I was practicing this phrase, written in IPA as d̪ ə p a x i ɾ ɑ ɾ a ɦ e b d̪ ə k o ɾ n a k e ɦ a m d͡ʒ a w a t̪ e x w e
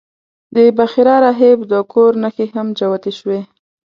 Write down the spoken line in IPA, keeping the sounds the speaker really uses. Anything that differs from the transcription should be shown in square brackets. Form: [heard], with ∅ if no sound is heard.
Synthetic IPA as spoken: d̪ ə [b] a x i ɾ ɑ ɾ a ɦ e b d̪ ə k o ɾ n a [x] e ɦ a m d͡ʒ a w a t̪ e [ʃ] w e

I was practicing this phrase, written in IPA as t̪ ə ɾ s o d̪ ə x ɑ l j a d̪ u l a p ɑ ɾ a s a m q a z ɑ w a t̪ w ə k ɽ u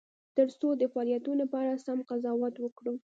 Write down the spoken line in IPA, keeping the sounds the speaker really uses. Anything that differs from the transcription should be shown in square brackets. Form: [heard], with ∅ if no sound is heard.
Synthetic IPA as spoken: t̪ ə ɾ s o d̪ ə [f] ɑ l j a [t̪] u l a p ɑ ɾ a s a m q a z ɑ w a t̪ w ə k ɽ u

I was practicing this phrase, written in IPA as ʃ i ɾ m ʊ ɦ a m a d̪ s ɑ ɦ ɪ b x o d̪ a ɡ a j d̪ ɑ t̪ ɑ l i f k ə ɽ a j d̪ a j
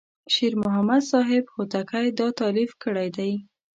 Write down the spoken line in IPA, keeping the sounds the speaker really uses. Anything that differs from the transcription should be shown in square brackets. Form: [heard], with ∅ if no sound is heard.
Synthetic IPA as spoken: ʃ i ɾ m ʊ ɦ a m a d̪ s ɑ ɦ ɪ b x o [t̪] a [k] a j d̪ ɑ t̪ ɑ l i f k ə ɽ a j d̪ a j

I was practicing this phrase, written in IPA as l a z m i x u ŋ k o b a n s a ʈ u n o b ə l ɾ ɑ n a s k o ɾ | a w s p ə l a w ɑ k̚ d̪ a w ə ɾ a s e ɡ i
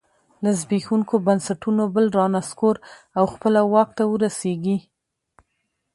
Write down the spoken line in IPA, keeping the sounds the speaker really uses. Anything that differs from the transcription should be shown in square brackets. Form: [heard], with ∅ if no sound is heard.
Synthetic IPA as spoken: l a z [b] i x u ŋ k o b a n s a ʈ u n o b ə l ɾ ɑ n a s k o ɾ | a w [x] p ə l a w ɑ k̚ [t̪] a w ə ɾ a s e ɡ i

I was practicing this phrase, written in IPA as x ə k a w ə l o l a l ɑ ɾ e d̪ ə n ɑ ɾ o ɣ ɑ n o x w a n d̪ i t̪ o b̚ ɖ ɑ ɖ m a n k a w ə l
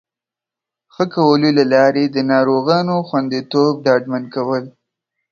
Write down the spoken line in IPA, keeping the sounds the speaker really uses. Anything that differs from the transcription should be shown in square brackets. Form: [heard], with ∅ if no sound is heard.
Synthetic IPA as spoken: x ə k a w ə l o l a l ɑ ɾ e d̪ ə n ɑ ɾ o ɣ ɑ n o x w a n d̪ i t̪ o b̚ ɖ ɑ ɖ m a n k a w ə l

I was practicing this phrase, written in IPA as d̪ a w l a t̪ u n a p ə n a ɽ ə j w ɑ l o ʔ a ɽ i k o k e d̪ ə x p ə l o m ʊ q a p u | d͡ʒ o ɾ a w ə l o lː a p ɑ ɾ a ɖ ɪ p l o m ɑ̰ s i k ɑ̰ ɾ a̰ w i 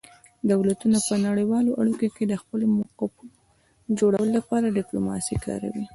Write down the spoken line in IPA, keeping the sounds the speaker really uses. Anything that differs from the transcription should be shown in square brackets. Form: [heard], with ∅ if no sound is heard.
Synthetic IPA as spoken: d̪ a w l a t̪ u n a p ə n a ɽ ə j w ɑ l o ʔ a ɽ i k o k e d̪ ə x p ə l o m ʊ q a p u | d͡ʒ o [ɽ] a w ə l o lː a p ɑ ɾ a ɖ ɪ p l o m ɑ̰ s i k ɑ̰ ɾ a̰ w i

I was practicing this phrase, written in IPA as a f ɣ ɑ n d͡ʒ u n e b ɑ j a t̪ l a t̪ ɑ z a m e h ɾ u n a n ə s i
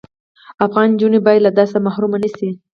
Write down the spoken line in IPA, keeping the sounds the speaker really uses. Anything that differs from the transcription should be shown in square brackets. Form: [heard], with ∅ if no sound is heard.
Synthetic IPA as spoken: a f ɣ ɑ n d͡ʒ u n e b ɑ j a [d̪] l a [d̪] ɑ [s] a m [a] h ɾ u [m] a n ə s i

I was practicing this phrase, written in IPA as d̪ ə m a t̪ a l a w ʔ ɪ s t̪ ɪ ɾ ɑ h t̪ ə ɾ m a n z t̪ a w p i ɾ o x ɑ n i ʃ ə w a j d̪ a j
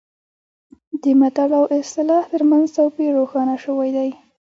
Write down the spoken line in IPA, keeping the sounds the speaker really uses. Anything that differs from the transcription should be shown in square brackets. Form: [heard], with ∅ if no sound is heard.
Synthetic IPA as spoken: d̪ ə m a t̪ a l a w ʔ ɪ s t̪ ɪ [l] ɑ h t̪ ə ɾ m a n z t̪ a w p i ɾ o x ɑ n [a] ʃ ə w a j d̪ a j

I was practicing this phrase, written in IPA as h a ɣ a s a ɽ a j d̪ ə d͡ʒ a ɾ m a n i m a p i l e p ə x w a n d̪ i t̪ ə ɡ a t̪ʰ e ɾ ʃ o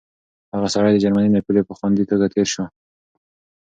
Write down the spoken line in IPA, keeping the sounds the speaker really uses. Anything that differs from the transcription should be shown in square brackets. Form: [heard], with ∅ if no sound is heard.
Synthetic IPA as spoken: h a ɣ a s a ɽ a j d̪ ə d͡ʒ a ɾ m a n i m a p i l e p ə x w a n d̪ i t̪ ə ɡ a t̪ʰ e ɾ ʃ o

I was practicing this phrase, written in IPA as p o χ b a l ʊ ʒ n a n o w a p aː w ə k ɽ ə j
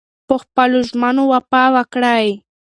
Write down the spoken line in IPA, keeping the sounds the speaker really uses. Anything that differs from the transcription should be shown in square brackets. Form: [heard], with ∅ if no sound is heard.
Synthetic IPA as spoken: p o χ [p] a l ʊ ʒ [m] a n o w a p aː w [a] k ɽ [a] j

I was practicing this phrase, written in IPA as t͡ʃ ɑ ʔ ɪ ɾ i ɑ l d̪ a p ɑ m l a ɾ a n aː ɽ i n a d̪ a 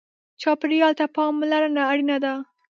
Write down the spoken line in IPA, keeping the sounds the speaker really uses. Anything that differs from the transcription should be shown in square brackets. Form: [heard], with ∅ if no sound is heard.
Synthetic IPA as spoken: t͡ʃ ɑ [p] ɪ ɾ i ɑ l [t̪] a p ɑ m l a ɾ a n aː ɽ i n a d̪ a

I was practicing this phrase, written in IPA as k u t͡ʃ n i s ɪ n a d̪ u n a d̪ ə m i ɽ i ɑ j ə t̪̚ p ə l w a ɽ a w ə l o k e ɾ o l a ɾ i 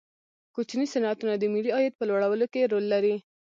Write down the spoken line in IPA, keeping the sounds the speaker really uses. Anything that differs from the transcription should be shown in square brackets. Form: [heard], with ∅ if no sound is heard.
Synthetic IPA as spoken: k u t͡ʃ n i s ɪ n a [t̪] u n a d̪ ə m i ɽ i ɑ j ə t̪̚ p ə l w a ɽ a w ə l o k e ɾ o [lː] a ɾ i

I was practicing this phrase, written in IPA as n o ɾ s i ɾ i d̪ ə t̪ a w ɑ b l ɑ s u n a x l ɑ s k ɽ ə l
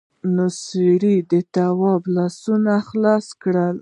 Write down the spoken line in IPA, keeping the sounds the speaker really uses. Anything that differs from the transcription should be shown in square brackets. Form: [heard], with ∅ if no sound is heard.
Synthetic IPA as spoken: n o [∅] s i ɾ i d̪ ə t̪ a w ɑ b l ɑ s u n a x l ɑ s k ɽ ə l

